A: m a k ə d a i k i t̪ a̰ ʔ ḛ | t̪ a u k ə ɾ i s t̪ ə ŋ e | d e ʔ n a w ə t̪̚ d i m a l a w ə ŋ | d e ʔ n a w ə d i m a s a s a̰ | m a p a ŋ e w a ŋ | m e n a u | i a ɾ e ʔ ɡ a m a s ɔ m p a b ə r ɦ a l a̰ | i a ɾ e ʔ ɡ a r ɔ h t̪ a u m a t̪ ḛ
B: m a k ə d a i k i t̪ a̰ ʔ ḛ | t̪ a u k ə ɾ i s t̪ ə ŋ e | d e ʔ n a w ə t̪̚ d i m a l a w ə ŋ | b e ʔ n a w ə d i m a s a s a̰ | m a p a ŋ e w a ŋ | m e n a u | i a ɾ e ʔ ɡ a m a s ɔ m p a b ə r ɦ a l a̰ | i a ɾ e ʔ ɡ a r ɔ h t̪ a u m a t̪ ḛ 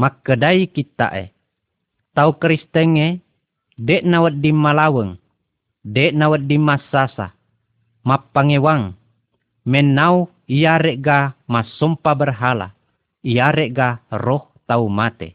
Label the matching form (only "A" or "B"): A